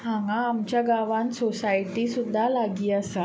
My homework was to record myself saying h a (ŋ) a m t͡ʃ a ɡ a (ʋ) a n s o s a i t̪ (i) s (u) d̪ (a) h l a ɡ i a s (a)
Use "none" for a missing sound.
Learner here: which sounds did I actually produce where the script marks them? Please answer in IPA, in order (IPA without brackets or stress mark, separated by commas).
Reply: ŋ, w, i, u, a, a